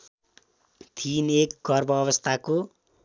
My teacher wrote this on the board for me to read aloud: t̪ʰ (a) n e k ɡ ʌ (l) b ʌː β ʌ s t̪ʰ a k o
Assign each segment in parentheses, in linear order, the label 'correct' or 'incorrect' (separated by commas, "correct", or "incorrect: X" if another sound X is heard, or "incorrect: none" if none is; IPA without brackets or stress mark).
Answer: incorrect: i, incorrect: r